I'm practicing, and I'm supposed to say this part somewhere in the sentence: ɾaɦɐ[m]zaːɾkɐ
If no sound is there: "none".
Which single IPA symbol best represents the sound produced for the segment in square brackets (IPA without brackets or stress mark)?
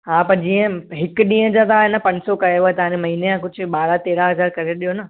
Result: none